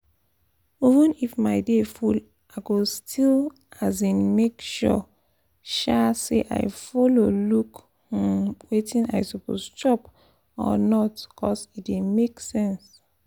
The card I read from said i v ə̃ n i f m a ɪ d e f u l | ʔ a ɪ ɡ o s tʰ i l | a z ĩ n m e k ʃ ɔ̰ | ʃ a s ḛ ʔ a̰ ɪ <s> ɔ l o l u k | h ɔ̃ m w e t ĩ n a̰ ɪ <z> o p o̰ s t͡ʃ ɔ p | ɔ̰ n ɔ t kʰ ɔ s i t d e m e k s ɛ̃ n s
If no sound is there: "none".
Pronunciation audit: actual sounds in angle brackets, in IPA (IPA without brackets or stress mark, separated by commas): f, s